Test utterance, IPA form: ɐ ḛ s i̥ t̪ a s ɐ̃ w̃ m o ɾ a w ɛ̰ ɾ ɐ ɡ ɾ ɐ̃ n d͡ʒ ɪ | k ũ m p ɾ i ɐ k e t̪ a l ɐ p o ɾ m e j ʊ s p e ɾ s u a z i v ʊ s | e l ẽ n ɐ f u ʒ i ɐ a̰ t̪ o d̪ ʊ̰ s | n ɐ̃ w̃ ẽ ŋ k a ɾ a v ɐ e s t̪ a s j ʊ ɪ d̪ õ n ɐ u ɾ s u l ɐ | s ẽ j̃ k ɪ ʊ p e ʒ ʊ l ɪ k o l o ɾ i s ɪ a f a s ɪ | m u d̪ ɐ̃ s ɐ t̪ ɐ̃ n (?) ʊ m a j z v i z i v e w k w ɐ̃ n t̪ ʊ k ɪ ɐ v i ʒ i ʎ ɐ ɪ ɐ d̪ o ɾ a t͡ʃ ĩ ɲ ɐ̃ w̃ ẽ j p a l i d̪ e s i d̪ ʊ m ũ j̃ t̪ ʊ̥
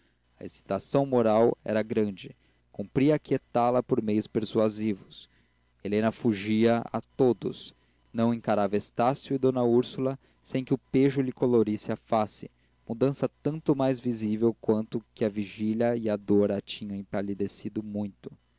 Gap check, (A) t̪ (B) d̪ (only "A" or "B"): A